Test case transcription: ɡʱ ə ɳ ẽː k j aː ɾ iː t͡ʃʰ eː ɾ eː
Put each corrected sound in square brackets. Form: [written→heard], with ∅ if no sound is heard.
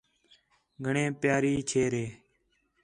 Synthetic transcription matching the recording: ɡʱ ə ɳ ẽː [k→p] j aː ɾ iː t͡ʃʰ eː ɾ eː